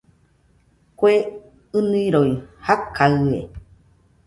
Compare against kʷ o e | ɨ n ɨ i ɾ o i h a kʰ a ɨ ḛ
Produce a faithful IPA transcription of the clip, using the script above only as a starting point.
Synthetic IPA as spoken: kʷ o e | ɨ n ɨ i ɾ o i h a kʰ a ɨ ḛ